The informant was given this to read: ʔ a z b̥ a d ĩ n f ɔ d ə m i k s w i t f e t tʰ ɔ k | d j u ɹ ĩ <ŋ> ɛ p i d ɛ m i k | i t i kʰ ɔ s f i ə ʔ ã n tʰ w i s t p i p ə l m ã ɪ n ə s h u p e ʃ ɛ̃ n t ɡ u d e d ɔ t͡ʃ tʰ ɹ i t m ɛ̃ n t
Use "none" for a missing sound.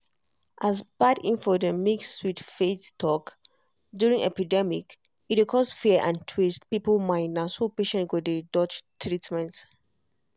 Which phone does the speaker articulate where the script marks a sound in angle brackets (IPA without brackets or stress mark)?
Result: ŋ